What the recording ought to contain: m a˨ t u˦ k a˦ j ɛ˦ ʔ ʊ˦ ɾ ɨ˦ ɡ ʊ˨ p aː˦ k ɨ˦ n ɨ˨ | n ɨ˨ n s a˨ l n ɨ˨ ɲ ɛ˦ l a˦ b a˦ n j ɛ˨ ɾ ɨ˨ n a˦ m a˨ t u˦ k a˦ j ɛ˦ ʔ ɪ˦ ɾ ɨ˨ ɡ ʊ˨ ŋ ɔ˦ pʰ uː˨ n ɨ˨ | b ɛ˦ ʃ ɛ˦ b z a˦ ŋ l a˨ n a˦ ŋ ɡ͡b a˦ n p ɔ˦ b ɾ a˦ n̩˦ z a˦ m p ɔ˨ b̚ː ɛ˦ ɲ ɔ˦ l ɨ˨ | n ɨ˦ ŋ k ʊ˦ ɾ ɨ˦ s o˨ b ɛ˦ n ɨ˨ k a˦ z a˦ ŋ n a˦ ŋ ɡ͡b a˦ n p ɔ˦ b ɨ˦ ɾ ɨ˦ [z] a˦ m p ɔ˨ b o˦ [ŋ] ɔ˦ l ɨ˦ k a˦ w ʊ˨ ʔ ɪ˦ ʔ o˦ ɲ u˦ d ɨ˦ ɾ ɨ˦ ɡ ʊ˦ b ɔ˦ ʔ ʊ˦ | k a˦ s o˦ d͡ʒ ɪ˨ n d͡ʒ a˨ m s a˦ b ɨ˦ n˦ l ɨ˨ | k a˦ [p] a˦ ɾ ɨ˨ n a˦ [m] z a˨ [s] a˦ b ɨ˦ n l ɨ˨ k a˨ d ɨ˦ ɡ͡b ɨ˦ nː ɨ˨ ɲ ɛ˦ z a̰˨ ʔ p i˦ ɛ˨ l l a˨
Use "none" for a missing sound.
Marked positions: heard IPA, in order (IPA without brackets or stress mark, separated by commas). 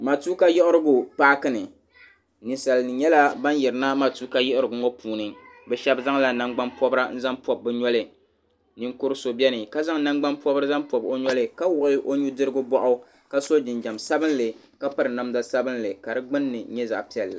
z, ɲ, p, m, s